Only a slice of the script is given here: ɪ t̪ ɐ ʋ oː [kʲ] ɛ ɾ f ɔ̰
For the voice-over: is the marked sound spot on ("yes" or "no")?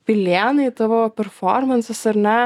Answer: no